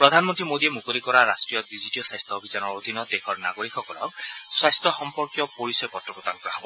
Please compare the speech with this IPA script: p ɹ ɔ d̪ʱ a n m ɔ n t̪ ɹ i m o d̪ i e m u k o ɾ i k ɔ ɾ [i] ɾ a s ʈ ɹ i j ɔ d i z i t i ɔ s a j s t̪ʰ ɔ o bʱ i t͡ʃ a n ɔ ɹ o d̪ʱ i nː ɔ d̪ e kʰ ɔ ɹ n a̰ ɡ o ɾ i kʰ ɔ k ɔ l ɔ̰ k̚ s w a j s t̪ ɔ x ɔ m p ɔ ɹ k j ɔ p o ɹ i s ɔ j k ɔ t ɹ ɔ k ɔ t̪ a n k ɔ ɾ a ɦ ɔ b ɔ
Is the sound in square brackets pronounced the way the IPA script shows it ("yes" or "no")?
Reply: no